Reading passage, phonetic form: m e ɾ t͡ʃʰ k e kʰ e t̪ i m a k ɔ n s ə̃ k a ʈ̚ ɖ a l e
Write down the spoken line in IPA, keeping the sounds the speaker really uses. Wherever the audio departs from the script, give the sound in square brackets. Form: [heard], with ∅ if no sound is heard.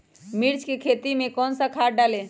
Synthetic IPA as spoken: m [i] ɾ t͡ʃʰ k e kʰ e t̪ i m [e] k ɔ n s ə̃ [kʰ] a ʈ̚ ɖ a l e